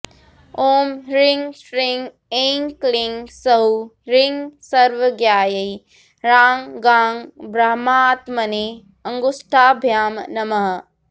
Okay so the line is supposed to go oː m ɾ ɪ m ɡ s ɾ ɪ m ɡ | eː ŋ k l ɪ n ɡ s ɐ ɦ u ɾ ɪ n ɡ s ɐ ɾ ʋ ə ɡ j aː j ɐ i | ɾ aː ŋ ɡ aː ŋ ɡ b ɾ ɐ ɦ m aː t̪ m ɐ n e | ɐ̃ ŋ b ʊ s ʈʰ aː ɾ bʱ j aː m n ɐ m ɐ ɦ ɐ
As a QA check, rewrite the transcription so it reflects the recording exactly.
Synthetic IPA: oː m ɾ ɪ ŋ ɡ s ɾ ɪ ŋ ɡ | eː ŋ k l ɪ ŋ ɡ s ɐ ɦ u ɾ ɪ ŋ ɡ s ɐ ɾ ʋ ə ɡ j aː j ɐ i | ɾ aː ŋ ɡ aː ŋ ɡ b ɾ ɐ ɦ m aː t̪ m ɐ n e | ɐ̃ ŋ ɡ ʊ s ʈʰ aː bʱ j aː m n ɐ m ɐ ɦ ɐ

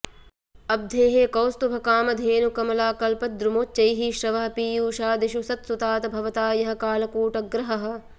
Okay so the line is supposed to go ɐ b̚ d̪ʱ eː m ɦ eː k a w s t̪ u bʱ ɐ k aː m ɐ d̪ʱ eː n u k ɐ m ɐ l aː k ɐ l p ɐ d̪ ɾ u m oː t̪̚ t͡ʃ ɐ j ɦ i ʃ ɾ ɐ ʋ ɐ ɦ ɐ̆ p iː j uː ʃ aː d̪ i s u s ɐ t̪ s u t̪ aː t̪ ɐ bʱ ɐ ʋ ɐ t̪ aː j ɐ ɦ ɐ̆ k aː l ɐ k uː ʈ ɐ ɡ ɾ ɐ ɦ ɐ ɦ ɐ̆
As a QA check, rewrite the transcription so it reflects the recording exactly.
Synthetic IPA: ɐ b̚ d̪ʱ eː ɦ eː k ɐ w s t̪ u bʱ ɐ k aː m ɐ d̪ʱ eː n u k ɐ m ɐ l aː k ɐ l p ɐ d̪ ɾ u m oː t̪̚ t͡ʃ ɐ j ɦ i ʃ ɾ ɐ ʋ ɐ ɦ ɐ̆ p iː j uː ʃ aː d̪ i ʃ u s ɐ t̪ s u t̪ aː t̪ ɐ bʱ ɐ ʋ ɐ t̪ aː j ɐ ɦ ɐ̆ k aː l ɐ k uː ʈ ɐ ɡ ɾ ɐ ɦ ɐ ɦ ɐ̆

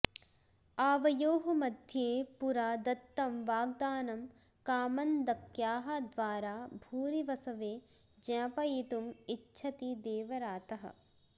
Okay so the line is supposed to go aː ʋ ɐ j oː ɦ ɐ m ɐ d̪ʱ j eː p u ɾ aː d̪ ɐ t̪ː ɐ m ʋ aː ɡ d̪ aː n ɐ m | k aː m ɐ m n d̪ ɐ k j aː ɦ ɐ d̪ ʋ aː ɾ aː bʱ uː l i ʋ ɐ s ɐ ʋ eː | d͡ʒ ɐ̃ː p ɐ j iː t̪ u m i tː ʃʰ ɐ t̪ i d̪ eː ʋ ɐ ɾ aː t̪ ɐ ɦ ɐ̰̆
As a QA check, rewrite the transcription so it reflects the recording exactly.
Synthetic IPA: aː ʋ ɐ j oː ɦ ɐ m ɐ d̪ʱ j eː p u ɾ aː d̪ ɐ t̪ː ɐ m ʋ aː ɡ d̪ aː n ɐ m | k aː m ɐ n d̪ ɐ k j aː ɦ ɐ d̪ ʋ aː ɾ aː bʱ uː ɾ i ʋ ɐ s ɐ ʋ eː | d͡ʒ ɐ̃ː p ɐ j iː t̪ u m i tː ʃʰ ɐ t̪ i d̪ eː ʋ ɐ ɾ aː t̪ ɐ ɦ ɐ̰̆

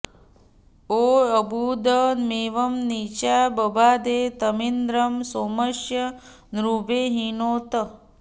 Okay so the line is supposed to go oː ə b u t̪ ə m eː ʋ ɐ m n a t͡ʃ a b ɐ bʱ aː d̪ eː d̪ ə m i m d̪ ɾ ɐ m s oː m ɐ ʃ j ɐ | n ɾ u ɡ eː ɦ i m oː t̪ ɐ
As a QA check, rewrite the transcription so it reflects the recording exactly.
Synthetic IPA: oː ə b u d̪ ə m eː ʋ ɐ m n i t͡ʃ a b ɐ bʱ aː d̪ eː t̪ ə m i n d̪ ɾ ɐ m s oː m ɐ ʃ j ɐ | n ɾ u b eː ɦ i n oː t̪ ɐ

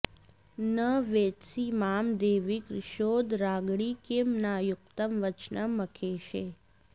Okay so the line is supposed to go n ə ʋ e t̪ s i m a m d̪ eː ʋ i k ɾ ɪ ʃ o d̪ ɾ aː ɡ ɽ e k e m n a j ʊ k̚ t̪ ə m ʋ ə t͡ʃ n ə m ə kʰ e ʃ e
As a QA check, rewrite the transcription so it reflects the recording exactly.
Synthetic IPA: n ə ʋ e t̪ s i m a m d̪ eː ʋ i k ɾ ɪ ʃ o d̪ ɾ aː ɡ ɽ i k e m n a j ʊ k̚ t̪ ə m ʋ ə t͡ʃ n ə m ə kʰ e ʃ e

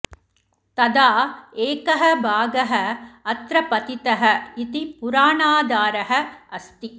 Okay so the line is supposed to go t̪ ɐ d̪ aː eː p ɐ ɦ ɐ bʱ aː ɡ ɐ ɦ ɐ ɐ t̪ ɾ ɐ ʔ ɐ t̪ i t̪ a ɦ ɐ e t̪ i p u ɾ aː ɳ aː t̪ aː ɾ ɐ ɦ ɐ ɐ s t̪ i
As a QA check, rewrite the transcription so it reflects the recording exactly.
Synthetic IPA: t̪ ɐ d̪ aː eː k ɐ ɦ ɐ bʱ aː ɡ ɐ ɦ ɐ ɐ t̪ ɾ ɐ p ɐ t̪ i t̪ ɐ ɦ ɐ i t̪ i p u ɾ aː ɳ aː d̪ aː ɾ ɐ ɦ ɐ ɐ s t̪ i

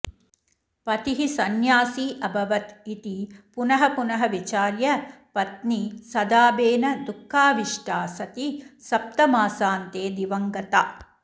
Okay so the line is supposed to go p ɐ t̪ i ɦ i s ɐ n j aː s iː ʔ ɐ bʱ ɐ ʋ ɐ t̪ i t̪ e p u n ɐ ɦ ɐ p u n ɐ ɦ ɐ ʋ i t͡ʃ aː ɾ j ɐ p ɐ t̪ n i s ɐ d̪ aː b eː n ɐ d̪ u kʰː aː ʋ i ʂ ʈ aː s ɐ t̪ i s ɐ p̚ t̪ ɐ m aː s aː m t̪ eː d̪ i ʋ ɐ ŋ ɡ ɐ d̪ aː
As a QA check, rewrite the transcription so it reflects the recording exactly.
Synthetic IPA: p ɐ t̪ i ɦ i s ɐ n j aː s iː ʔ ɐ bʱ ɐ ʋ ɐ t̪ i t̪ i p u n ɐ ɦ ɐ p u n ɐ ɦ ɐ ʋ i t͡ʃ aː ɾ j ɐ p ɐ t̪ n i s ɐ d̪ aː b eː n ɐ d̪ u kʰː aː ʋ i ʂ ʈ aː s ɐ t̪ i s ɐ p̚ t̪ ɐ m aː s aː n t̪ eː d̪ i ʋ ɐ ŋ ɡ ɐ t̪ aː

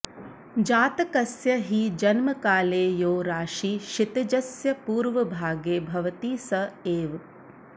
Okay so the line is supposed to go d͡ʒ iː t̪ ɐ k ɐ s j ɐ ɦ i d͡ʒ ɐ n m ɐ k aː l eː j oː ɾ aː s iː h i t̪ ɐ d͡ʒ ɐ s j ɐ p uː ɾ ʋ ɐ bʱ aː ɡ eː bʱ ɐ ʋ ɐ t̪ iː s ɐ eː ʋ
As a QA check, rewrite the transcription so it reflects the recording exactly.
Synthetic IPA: d͡ʒ aː t̪ ɐ k ɐ s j ɐ ɦ i d͡ʒ ɐ n m ɐ k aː l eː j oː ɾ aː ʃ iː ʃ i t̪ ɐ d͡ʒ ɐ s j ɐ p uː ɾ ʋ ɐ bʱ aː ɡ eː bʱ ɐ ʋ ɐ t̪ iː s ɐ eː ʋ

